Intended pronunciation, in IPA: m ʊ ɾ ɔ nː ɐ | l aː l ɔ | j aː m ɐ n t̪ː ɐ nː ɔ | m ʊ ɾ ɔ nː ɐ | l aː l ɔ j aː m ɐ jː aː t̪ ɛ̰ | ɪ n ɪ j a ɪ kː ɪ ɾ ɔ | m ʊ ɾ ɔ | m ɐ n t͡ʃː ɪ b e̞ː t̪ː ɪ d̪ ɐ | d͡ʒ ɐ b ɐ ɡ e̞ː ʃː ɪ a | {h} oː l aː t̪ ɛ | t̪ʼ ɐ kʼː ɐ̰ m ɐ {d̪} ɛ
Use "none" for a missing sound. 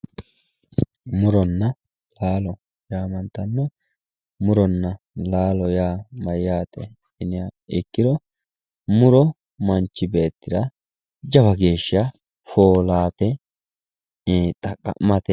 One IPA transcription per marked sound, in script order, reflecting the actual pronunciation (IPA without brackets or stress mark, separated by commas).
f, t̪